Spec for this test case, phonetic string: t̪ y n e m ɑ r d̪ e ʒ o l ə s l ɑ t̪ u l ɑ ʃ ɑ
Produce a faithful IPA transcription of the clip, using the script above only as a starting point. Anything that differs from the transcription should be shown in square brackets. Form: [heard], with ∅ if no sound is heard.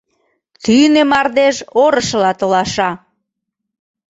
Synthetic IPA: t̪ y n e m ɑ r d̪ e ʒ o [ɾ] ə [ʃ] l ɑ t̪ [o] l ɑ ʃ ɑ